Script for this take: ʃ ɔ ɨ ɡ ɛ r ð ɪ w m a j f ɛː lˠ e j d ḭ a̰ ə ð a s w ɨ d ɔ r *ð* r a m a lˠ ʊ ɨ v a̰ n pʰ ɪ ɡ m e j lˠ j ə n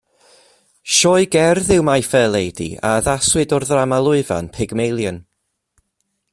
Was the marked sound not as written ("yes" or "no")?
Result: no